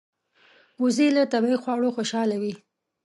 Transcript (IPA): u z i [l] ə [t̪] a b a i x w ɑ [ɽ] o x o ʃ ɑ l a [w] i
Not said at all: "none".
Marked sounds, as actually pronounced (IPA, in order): l, t̪, ɽ, w

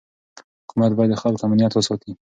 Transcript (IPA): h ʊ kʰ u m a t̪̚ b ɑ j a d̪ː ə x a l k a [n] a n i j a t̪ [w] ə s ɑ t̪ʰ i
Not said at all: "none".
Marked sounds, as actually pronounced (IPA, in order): m, w

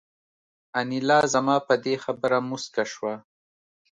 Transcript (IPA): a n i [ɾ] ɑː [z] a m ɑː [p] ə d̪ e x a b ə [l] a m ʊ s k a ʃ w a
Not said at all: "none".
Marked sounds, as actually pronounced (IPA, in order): l, z, p, ɾ

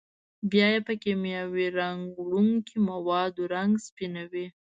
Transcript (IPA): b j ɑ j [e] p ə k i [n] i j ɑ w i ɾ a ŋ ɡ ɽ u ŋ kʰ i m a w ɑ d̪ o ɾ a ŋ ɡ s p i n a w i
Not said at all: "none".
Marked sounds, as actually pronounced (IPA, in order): e, m

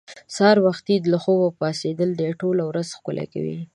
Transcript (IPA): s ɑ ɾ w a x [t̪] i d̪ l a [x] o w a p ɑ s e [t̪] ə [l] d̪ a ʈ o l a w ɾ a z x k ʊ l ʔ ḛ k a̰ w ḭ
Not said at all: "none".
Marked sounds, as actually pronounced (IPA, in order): t̪, x, d̪, l

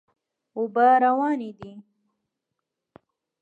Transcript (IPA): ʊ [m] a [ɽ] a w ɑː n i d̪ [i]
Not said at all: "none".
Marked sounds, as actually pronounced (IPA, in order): b, ɾ, i

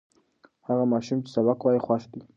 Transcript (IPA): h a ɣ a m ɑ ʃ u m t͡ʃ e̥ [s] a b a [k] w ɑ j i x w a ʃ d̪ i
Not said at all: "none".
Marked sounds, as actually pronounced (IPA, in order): s, k

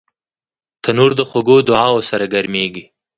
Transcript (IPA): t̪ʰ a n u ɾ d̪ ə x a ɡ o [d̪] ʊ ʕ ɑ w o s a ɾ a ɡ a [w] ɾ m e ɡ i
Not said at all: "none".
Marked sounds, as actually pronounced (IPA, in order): d̪, none

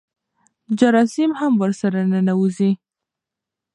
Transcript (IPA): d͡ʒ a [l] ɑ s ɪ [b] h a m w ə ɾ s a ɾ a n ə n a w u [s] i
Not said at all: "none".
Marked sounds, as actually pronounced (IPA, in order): ɾ, m, z

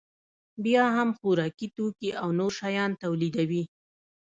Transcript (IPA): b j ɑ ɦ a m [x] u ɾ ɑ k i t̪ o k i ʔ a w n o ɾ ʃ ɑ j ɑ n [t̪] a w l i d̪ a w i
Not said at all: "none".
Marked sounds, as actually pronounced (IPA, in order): x, t̪

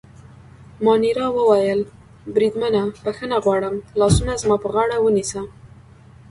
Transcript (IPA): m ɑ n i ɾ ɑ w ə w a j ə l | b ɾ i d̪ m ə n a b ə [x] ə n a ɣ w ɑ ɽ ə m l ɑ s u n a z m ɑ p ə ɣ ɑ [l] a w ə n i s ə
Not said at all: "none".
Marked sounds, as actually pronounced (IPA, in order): x, ɽ

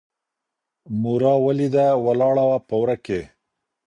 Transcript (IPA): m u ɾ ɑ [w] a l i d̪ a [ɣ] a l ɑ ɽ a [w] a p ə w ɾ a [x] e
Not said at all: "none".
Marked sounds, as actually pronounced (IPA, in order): w, w, w, k

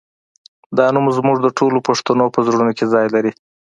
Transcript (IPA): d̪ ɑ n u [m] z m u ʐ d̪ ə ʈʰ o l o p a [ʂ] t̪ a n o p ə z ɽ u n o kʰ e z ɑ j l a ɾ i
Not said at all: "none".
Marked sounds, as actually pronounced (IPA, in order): m, ʂ

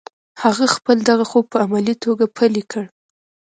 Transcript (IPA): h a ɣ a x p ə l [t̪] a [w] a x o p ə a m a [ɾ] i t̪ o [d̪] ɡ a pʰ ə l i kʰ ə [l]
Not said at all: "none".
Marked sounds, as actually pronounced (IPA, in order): d̪, ɣ, l, none, ɽ

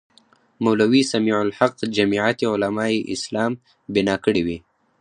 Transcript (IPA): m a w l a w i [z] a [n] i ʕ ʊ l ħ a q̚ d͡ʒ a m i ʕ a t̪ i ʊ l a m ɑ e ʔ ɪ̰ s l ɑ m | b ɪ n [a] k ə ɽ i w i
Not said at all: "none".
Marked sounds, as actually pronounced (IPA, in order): s, m, ɑ

